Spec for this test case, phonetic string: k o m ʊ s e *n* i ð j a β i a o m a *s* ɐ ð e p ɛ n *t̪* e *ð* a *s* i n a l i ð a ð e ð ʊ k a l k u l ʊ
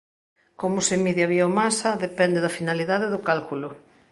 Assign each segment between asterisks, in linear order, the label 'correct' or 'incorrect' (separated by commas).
incorrect, correct, incorrect, correct, incorrect